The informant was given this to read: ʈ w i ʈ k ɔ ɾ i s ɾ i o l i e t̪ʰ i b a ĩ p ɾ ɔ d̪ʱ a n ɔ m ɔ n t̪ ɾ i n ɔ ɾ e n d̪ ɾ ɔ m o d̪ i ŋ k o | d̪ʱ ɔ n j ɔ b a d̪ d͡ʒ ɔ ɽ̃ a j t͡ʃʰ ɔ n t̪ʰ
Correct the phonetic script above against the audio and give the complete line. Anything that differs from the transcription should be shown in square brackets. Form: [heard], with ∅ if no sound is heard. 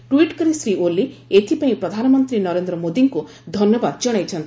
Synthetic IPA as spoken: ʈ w i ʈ k ɔ ɾ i s ɾ i o l i e t̪ʰ i [p] a ĩ p ɾ ɔ d̪ʱ a n ɔ m ɔ n t̪ ɾ i n ɔ ɾ e n d̪ ɾ ɔ m o d̪ i ŋ k [u] | d̪ʱ ɔ n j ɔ b a d̪ d͡ʒ ɔ ɽ̃ a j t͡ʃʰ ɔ n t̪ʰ